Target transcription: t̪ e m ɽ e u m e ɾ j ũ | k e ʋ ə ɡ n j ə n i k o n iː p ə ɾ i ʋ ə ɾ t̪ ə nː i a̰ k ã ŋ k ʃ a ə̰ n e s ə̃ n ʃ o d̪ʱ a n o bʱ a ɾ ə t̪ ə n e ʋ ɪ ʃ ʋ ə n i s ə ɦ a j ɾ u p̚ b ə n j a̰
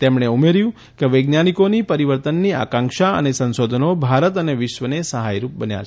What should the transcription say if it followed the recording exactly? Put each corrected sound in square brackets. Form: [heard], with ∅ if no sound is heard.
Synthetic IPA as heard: t̪ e m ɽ e u m e ɾ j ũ | k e ʋ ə ɡ n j [a] n i k o n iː p ə ɾ i ʋ ə ɾ t̪ ə nː i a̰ k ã ŋ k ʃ a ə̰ n e s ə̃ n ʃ o d̪ʱ [ə] n o bʱ a ɾ ə t̪ ə n e ʋ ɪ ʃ ʋ ə n [e] s ə ɦ a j ɾ u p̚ b ə n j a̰